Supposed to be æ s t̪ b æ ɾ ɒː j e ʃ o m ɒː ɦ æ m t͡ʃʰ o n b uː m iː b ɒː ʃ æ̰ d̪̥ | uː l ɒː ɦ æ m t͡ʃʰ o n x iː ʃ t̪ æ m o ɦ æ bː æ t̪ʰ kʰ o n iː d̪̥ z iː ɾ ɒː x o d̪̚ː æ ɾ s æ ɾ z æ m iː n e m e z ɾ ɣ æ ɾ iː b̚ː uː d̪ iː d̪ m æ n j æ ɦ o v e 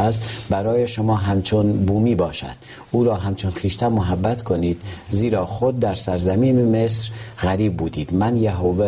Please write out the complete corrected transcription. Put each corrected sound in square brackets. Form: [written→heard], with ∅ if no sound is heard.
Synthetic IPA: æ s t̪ b æ ɾ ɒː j e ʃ o m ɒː ɦ æ m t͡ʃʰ o n b uː m iː b ɒː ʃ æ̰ d̪̥ | uː [l→ɾ] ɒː ɦ æ m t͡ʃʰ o n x iː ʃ t̪ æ m o ɦ æ bː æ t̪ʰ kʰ o n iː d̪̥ z iː ɾ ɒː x o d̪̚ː æ ɾ s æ ɾ z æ m iː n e m e [z→s] ɾ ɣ æ ɾ iː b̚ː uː d̪ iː d̪ m æ n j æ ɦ o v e